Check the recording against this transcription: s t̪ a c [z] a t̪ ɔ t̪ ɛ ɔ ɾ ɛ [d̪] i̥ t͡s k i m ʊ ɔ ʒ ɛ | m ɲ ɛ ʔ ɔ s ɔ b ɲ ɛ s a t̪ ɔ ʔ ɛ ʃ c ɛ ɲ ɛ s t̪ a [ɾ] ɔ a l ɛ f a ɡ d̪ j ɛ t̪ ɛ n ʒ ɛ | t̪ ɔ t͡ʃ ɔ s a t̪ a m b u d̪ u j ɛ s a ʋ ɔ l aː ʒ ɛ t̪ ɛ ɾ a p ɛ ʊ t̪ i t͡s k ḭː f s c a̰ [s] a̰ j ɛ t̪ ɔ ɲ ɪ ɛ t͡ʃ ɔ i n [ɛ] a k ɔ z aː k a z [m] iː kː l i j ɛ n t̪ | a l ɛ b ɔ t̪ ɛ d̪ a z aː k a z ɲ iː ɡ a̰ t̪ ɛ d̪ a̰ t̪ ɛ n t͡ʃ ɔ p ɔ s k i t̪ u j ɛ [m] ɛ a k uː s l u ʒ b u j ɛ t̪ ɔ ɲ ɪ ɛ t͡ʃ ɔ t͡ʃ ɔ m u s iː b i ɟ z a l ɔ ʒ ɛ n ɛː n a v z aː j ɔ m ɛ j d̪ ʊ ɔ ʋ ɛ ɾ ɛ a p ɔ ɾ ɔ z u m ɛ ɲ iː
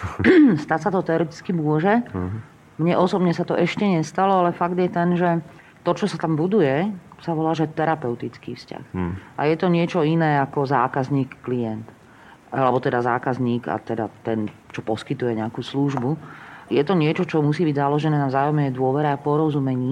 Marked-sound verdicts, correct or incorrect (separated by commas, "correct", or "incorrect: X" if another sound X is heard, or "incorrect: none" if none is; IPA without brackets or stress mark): incorrect: s, incorrect: t̪, incorrect: l, incorrect: x, incorrect: ɛː, incorrect: ɲ, incorrect: ɲ